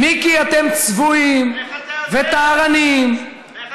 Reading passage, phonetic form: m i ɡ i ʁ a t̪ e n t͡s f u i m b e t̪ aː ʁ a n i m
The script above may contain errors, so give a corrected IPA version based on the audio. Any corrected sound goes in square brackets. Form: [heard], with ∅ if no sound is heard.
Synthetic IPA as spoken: m i [k] i [∅] a t̪ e [m] t͡s [v] u i m [v] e t̪ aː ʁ a n i m